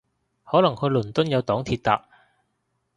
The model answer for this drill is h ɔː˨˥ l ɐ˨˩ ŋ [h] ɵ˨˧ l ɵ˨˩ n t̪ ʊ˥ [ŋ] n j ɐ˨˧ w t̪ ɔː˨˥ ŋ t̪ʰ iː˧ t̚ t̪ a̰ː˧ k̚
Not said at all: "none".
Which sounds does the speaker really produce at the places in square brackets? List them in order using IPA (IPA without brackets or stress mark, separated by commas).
h, none